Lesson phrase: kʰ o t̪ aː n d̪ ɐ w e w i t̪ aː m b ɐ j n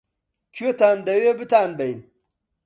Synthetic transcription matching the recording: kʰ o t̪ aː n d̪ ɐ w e b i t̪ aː n b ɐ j n

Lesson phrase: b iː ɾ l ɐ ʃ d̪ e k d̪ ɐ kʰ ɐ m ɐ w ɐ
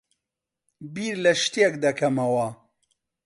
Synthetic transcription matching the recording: b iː ɾ l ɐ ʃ t̪ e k d̪ ɐ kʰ ɐ m ɐ w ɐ

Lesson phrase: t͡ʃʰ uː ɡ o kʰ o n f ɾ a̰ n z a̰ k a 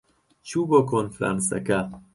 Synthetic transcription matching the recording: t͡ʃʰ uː b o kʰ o n f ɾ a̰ n s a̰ k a

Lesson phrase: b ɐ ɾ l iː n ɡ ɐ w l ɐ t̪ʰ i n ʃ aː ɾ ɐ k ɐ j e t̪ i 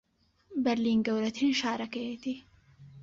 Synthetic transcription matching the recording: b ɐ ɾ l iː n ɡ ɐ w ɾ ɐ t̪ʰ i n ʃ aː ɾ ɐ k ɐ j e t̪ i

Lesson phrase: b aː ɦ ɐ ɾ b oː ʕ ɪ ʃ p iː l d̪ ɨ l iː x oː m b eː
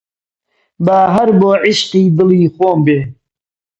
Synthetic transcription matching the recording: b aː ɦ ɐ ɾ b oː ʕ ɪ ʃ q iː d̪ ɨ l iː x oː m b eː

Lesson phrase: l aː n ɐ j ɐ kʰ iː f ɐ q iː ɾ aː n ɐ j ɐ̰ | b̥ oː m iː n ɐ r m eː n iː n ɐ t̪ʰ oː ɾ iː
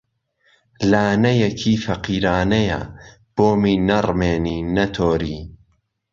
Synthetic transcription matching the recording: l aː n ɐ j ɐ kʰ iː f ɐ q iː ɾ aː n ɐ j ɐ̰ | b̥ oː m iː n ɐ r m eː n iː n ɐ t̪ʰ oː ɾ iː

